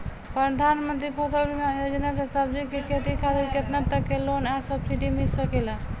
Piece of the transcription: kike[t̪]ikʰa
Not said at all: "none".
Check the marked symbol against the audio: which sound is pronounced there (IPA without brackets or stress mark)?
t̪